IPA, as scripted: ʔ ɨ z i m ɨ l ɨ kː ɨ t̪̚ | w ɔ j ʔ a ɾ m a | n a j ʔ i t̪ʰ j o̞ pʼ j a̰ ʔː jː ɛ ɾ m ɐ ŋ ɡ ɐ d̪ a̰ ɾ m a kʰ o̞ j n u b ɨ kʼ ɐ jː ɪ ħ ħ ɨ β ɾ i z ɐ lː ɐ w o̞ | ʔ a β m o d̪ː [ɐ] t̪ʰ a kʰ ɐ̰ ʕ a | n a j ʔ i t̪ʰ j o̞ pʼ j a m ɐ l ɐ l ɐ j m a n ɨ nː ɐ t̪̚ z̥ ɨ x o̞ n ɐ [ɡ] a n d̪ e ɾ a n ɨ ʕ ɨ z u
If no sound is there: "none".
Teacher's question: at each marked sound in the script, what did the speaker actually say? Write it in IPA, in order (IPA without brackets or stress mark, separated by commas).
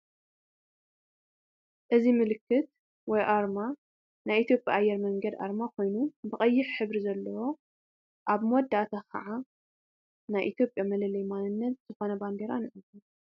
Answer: a, b